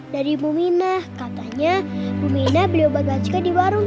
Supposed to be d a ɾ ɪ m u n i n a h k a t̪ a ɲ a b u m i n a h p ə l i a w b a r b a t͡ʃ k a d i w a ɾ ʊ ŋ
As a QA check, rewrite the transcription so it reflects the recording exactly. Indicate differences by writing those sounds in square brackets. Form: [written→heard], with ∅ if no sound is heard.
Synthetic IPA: d a ɾ [ɪ→i] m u [n→m] i n a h k a t̪ a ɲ a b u m i n a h [p→b] ə l i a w b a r b a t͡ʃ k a d i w a ɾ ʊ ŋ

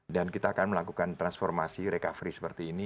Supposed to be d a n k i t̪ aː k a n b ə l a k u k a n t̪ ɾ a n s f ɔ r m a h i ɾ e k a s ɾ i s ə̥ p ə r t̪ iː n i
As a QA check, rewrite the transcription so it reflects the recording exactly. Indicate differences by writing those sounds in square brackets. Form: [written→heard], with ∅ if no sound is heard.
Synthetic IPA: d a n k i t̪ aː k a n [b→m] ə l a k u k a n t̪ ɾ a n s f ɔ r m a [h→s] i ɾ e k a [s→f] ɾ i s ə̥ p ə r t̪ iː n i

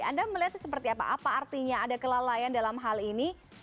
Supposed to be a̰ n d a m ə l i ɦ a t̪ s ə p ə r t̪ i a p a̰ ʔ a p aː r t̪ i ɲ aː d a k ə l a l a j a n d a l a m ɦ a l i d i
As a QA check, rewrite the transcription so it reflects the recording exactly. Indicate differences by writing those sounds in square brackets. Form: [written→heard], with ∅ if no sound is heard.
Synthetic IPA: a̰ n d a m ə l i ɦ a t̪ s ə p ə r t̪ i a p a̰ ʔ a p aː r t̪ i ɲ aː d a k ə l a l a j a n d a l a m ɦ a l i [d→n] i

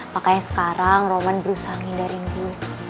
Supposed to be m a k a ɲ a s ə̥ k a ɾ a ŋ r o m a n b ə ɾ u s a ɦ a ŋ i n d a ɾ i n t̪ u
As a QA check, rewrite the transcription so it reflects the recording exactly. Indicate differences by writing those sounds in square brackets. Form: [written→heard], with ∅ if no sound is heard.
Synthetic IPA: m a k a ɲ a s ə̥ k a ɾ a ŋ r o m a n b ə ɾ u s a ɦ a ŋ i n d a ɾ i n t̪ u

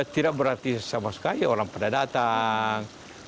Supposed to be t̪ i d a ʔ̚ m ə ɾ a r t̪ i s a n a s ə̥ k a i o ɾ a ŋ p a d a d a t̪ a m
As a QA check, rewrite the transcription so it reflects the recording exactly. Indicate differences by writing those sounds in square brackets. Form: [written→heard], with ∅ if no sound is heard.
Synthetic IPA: t̪ i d a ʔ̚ [m→b] ə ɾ a r t̪ i s a [n→m] a s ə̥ k a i o ɾ a ŋ p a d a d a t̪ a [m→ŋ]

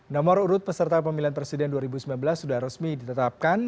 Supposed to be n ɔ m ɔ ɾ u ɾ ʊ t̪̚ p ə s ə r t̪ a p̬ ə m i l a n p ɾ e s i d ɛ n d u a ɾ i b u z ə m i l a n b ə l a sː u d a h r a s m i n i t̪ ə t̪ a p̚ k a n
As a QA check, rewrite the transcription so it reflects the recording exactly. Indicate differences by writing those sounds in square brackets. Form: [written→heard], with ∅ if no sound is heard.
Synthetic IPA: n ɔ m ɔ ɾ u ɾ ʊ t̪̚ p ə s ə r t̪ a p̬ ə m i l a n p ɾ e s i d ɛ n d u a ɾ i b u [z→s] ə m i l a n b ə l a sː u d a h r [a→ə] s m i [n→d] i t̪ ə t̪ a p̚ k a n

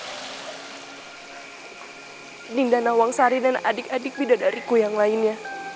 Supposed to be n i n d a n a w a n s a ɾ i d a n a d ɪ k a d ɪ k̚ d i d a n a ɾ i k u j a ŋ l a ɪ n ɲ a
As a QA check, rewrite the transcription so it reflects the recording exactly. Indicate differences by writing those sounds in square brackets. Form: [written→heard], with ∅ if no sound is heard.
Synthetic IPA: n i n d a n a w a [n→ŋ] s a ɾ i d a n a d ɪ k a d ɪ k̚ [d→b] i d a [n→d] a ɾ i k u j a ŋ l a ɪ n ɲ a

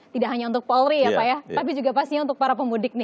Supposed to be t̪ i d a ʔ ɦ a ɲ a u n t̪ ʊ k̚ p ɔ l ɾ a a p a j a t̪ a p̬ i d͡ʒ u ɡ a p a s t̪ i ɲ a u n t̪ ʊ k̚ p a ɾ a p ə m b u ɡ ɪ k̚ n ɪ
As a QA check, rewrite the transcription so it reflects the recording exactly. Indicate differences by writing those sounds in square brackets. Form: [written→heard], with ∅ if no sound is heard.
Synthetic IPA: t̪ i d a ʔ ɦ a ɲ a u n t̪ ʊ k̚ p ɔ l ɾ [a→i] a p a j a t̪ a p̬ i d͡ʒ u ɡ a p a s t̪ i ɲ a u n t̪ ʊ k̚ p a ɾ a p ə m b u [ɡ→d] ɪ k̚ n ɪ

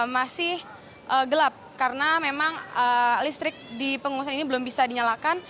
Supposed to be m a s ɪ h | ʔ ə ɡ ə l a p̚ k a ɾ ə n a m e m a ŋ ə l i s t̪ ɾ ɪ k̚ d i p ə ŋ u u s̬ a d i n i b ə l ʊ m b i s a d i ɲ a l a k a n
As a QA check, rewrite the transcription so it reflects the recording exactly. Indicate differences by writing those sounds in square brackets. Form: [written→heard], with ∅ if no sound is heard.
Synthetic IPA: m a s ɪ h | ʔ ə ɡ ə l a p̚ k a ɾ ə n a m e m a ŋ ə l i s t̪ ɾ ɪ k̚ d i p ə ŋ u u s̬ a [d→n] i n i b ə l ʊ m b i s a d i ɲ a l a k a n

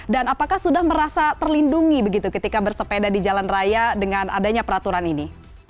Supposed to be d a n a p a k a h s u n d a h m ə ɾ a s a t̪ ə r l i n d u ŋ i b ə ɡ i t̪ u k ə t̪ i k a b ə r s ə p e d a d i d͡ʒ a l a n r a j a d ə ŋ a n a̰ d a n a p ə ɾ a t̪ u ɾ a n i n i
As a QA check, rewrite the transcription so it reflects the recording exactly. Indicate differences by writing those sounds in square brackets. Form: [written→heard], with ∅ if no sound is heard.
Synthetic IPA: d a n a p a k a h s u [n→∅] d a h m ə ɾ a s a t̪ ə r l i n d u ŋ i b ə ɡ i t̪ u k ə t̪ i k a b ə r s ə p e d a d i d͡ʒ a l a n r a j a d ə ŋ a n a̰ d a [n→ɲ] a p ə ɾ a t̪ u ɾ a n i n i

